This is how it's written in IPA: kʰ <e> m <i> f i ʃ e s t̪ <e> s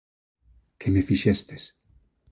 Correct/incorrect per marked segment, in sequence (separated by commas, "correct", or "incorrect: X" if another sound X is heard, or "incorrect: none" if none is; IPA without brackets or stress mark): correct, incorrect: e, correct